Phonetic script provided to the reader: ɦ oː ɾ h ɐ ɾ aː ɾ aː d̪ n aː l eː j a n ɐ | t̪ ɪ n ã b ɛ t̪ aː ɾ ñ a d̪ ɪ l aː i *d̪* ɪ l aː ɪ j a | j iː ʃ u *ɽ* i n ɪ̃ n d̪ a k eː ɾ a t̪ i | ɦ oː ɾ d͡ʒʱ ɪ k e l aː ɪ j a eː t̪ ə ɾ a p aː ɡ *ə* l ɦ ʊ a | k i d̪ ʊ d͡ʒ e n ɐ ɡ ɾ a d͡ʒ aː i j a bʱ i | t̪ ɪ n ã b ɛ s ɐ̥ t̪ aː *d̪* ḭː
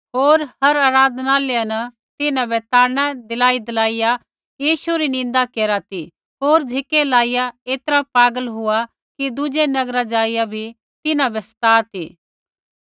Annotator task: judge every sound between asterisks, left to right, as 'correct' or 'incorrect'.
correct, incorrect, correct, incorrect

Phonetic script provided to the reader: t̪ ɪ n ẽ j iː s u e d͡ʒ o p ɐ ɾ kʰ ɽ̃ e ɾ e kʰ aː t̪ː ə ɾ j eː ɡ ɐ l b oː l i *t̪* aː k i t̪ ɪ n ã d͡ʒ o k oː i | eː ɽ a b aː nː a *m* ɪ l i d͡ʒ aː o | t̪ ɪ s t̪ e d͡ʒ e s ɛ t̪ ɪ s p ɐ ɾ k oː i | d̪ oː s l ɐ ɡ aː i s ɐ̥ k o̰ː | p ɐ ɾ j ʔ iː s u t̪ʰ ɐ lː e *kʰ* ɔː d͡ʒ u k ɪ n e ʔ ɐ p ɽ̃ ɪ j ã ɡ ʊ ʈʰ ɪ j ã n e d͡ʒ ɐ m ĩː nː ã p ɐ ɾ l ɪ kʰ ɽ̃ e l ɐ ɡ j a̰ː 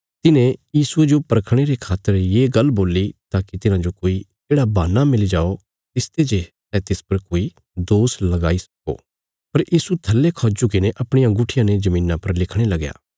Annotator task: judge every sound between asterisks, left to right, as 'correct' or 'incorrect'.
correct, correct, correct

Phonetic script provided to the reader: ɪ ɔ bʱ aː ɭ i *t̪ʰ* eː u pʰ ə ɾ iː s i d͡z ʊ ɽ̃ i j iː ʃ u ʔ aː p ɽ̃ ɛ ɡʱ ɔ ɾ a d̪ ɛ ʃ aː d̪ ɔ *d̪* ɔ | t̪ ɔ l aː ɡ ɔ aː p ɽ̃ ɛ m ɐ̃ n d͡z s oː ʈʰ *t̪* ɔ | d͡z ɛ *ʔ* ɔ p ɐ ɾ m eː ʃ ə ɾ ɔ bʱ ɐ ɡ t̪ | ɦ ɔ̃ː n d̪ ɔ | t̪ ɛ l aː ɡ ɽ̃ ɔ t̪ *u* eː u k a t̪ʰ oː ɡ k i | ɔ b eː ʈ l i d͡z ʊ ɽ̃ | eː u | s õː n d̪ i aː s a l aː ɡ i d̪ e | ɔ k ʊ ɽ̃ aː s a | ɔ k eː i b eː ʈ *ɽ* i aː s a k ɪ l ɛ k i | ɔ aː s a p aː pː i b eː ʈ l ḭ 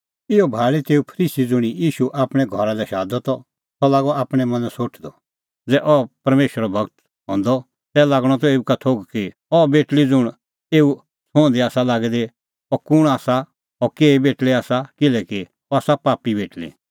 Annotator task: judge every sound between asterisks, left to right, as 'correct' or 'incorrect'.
incorrect, incorrect, incorrect, correct, incorrect, incorrect

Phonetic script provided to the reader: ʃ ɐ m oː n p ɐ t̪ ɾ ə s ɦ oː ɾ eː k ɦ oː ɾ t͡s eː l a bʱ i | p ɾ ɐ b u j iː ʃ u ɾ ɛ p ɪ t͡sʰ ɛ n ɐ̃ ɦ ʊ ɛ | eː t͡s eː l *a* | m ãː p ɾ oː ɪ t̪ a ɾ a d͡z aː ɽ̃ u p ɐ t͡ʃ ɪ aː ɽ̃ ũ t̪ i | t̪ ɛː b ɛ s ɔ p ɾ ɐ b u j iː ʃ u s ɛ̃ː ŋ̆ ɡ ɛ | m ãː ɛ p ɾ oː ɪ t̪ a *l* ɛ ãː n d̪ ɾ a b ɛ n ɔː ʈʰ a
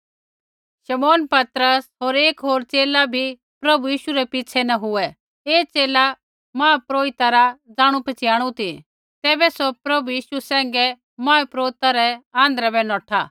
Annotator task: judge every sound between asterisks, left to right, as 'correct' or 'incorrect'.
correct, incorrect

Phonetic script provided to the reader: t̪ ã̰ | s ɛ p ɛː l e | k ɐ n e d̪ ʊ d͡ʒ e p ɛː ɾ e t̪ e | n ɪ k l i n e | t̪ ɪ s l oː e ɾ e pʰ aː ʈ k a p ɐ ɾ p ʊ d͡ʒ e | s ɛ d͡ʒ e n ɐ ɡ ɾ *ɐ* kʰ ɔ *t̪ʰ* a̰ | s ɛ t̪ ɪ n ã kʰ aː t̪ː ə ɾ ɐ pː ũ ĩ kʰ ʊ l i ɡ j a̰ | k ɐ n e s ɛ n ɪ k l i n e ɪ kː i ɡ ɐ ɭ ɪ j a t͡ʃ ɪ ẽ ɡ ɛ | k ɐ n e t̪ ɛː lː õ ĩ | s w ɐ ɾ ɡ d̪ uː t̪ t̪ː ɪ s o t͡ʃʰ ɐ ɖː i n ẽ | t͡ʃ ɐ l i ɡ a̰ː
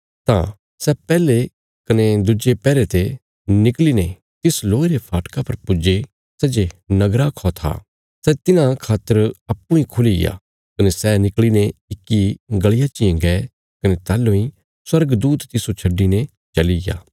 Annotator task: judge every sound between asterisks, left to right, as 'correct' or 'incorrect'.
incorrect, correct

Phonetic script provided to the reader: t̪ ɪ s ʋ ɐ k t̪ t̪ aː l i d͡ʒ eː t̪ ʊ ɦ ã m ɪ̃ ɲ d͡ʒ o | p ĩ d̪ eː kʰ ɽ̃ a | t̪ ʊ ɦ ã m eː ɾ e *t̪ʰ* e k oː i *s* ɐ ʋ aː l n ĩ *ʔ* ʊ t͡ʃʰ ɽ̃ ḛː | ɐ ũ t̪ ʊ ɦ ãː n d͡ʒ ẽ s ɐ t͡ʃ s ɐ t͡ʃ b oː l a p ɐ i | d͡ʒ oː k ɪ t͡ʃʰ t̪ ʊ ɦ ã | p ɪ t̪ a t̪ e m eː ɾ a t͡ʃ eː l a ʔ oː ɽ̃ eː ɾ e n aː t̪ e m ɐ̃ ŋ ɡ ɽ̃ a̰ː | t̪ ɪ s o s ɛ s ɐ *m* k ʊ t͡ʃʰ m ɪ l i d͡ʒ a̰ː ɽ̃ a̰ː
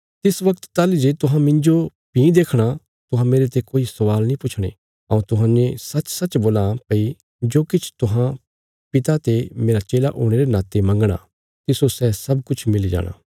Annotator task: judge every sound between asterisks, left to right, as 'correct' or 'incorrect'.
incorrect, correct, incorrect, incorrect

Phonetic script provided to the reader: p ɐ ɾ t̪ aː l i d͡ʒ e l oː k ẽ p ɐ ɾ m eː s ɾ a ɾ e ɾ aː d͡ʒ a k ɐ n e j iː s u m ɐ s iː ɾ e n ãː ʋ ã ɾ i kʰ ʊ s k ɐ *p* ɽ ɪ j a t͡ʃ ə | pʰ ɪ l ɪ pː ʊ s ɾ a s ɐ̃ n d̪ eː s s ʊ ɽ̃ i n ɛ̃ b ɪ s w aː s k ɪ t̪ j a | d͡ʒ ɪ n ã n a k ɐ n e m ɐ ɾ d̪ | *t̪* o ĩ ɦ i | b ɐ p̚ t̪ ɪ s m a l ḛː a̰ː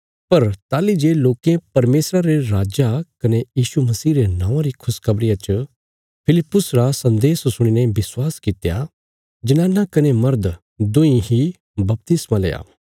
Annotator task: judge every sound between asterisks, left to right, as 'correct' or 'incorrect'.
incorrect, incorrect

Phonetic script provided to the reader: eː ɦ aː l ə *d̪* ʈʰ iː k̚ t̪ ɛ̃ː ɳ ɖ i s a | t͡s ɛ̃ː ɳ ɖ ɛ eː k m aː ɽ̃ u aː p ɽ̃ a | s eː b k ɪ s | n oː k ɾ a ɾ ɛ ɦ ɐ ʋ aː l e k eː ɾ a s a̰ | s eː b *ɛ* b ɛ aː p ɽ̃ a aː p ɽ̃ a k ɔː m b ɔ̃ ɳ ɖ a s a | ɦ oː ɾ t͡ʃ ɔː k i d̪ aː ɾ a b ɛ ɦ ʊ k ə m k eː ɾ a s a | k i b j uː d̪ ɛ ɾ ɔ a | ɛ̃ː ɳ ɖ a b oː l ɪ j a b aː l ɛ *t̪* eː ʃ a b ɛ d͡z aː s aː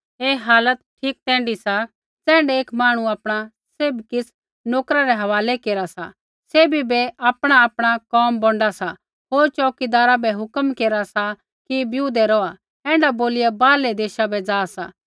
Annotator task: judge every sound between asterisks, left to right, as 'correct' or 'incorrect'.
incorrect, incorrect, incorrect

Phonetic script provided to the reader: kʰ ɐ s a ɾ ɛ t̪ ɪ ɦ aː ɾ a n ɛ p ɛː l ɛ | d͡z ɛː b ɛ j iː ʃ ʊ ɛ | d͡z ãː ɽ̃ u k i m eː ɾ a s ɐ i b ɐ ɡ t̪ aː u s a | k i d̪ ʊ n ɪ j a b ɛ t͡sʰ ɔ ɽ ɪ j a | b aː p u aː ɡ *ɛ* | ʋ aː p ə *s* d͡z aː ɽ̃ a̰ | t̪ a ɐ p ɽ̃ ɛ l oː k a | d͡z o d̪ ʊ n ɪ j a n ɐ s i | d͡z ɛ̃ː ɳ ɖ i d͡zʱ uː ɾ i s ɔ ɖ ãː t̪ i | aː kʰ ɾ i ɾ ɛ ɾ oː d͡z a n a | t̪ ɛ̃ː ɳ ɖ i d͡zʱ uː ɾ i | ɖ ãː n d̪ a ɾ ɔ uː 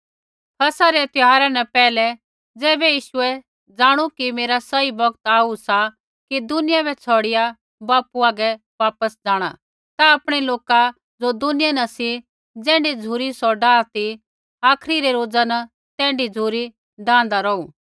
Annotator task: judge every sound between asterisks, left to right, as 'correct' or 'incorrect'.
correct, correct

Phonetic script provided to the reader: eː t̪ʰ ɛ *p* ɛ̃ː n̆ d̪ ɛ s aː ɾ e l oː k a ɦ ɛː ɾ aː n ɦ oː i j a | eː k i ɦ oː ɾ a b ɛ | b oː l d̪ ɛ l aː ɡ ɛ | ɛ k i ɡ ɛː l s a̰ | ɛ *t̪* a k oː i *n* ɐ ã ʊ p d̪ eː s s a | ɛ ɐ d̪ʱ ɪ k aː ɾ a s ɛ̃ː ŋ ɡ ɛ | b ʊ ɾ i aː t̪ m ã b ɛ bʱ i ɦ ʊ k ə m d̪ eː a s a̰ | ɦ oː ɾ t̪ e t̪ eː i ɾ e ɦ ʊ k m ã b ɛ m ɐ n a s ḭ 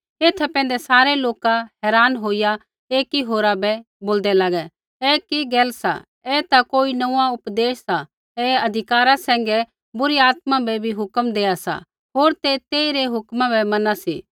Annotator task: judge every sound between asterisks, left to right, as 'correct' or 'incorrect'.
correct, correct, correct

